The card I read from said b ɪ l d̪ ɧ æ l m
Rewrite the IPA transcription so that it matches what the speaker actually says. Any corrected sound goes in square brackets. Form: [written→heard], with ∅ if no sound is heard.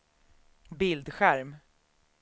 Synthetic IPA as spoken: b ɪ l d̪ ɧ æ [l→ɾ] m